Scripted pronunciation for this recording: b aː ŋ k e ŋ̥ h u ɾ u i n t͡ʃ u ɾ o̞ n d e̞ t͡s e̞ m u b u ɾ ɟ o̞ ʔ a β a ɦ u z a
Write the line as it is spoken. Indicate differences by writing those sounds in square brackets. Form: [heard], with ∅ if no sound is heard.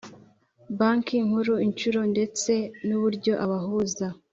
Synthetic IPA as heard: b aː ŋ k [i] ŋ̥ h u ɾ u i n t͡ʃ u ɾ o̞ n d e̞ t͡s e̞ [n] u [β] u ɾ ɟ o̞ ʔ a β a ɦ u z a